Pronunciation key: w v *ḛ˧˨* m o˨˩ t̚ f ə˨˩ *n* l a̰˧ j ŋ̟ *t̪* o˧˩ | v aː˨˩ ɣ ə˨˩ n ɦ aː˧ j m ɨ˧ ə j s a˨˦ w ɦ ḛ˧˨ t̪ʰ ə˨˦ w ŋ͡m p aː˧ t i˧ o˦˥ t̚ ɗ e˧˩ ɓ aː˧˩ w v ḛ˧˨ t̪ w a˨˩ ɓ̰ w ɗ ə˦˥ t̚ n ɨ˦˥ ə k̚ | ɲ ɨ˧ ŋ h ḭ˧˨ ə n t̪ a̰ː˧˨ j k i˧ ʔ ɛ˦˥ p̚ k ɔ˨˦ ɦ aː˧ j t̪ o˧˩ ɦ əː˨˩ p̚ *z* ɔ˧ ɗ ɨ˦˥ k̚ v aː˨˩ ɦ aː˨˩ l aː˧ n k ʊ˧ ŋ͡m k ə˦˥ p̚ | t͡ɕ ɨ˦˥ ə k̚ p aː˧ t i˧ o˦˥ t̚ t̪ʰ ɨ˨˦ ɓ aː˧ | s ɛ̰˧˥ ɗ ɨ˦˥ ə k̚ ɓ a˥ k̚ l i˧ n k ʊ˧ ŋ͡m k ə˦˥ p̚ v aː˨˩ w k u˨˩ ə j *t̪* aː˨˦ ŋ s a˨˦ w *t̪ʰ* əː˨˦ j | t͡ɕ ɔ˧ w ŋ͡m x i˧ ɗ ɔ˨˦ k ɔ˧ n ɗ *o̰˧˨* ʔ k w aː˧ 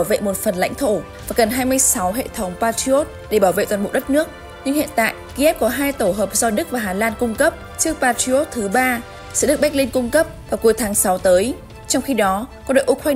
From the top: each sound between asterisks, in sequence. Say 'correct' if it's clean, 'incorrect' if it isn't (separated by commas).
correct, correct, incorrect, correct, incorrect, incorrect, correct